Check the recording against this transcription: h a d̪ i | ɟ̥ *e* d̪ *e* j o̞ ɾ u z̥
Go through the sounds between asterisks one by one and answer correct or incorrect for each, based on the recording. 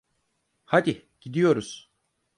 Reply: incorrect, incorrect

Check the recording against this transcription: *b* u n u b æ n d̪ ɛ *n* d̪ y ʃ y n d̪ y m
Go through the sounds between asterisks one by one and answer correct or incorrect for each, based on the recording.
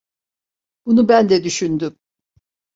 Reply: correct, incorrect

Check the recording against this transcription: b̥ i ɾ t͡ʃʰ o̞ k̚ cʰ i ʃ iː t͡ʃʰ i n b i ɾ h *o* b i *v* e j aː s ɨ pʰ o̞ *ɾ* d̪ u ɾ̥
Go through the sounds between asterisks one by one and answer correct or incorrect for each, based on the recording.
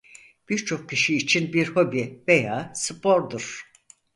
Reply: correct, correct, correct

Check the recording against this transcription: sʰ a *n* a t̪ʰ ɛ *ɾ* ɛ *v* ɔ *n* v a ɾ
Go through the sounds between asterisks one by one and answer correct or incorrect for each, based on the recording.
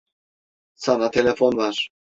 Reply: correct, incorrect, incorrect, correct

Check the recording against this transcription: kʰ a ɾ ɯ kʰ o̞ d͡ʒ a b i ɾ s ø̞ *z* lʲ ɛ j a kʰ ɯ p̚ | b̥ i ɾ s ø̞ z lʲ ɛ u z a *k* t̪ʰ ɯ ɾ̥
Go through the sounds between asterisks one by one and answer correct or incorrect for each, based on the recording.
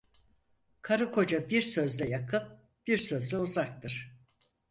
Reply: correct, correct

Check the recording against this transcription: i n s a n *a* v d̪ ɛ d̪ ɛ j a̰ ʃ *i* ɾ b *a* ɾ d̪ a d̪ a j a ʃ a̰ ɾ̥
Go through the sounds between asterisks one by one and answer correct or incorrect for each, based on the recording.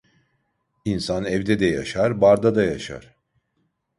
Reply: incorrect, incorrect, correct

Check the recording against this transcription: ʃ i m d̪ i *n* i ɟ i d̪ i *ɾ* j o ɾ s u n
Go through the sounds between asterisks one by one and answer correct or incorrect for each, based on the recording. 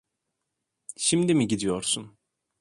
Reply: incorrect, incorrect

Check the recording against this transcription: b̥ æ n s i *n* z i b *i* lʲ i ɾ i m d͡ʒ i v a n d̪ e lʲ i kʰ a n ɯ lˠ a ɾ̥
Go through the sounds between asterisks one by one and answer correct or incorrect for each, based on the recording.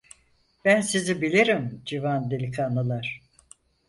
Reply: incorrect, correct

